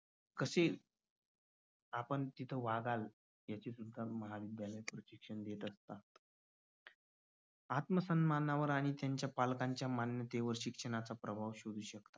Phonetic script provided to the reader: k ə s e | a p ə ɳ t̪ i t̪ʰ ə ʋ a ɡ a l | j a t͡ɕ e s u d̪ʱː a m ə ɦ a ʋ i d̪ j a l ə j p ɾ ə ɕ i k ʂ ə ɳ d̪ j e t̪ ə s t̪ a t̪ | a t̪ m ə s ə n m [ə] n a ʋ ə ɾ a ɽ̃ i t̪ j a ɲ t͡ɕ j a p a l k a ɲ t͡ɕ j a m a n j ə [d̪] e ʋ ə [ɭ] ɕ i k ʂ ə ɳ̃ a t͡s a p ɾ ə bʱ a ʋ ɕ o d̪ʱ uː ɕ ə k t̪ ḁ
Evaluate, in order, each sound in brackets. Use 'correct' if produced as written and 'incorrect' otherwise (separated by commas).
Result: incorrect, incorrect, incorrect